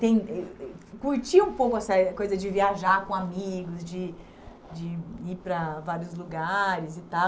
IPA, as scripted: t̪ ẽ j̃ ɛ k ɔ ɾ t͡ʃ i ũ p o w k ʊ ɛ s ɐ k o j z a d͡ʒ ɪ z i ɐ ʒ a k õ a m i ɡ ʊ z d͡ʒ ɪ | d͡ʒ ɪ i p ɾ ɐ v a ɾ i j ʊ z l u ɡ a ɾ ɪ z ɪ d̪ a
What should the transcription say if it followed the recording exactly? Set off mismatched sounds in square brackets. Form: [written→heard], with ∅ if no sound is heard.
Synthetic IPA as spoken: t̪ ẽ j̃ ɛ k [ɔ→u] ɾ t͡ʃ i ũ p o w k ʊ ɛ s ɐ k o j z [a→ɐ] d͡ʒ ɪ [z→v] i [ɐ→a] ʒ a k õ a m i ɡ ʊ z d͡ʒ ɪ | d͡ʒ ɪ i p ɾ ɐ v a ɾ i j ʊ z l u ɡ a ɾ ɪ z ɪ [d̪→t̪] a